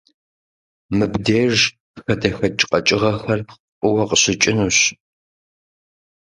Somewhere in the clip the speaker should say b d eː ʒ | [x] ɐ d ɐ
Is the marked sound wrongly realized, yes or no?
no